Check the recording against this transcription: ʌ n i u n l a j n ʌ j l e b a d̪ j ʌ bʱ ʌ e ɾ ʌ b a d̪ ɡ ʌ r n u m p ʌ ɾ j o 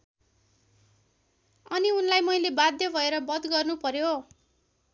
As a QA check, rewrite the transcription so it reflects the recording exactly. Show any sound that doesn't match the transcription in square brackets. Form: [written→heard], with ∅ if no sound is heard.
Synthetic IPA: ʌ n i u n l a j [n→m] ʌ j l e b a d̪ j ʌ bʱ ʌ e ɾ ʌ b [a→ʌ] d̪ ɡ ʌ r n u [m→∅] p ʌ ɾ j o